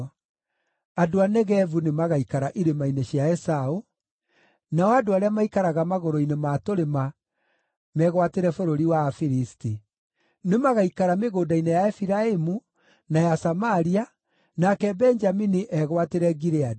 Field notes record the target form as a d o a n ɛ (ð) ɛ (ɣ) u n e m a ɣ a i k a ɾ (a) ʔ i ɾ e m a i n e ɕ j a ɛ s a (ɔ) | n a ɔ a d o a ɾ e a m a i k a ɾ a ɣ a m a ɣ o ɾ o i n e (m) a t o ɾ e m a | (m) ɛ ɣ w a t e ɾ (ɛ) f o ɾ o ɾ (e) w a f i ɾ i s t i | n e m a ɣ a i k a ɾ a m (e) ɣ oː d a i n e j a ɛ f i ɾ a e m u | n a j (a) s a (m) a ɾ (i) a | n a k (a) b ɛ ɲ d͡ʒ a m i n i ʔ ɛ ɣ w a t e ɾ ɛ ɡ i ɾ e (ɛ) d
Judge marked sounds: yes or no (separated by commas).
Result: no, no, yes, no, yes, yes, yes, no, yes, yes, yes, yes, no, no